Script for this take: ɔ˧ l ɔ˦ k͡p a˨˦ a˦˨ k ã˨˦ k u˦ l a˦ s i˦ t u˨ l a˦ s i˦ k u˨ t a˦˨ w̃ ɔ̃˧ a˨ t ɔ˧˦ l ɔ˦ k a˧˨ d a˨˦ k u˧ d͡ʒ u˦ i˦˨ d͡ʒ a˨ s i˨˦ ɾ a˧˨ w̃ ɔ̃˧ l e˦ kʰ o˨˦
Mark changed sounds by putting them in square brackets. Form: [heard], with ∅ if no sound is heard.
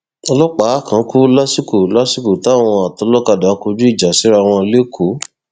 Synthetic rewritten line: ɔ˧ l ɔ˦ k͡p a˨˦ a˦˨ k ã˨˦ k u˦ l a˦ s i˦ [k] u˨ l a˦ s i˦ k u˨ t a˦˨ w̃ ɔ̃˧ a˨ t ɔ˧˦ l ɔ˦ k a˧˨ d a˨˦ k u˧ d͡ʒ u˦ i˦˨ d͡ʒ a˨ s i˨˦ ɾ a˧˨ w̃ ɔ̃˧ l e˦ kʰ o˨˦